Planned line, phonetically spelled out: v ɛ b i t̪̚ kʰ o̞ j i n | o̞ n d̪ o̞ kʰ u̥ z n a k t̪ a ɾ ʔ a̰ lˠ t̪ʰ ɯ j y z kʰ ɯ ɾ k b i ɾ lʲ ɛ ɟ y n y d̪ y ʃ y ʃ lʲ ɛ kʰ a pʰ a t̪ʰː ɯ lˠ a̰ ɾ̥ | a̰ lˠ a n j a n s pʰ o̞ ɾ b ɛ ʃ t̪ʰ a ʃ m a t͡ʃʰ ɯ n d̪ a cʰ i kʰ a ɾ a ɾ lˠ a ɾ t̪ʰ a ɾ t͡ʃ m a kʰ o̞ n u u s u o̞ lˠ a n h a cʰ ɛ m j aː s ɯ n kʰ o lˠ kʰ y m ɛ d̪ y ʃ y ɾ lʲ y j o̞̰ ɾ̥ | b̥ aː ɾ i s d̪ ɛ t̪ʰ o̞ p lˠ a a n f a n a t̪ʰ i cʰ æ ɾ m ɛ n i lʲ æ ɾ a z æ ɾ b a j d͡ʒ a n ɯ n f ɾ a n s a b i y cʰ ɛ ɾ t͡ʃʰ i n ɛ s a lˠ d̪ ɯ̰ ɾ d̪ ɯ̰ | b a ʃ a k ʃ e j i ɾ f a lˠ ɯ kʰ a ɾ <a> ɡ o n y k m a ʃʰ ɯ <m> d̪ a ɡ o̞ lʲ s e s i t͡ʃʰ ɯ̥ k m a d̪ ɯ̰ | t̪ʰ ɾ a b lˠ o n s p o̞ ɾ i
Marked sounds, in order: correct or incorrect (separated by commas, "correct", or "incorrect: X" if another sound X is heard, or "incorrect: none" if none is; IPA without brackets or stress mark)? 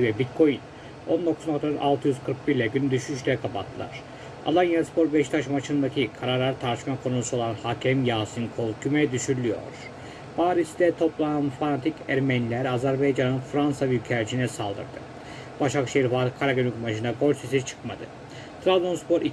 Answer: correct, incorrect: n